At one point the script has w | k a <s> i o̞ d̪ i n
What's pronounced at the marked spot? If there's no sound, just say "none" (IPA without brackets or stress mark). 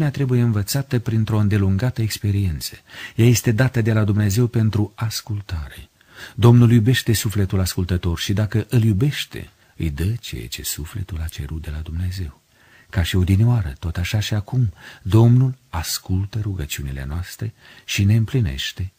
ʃ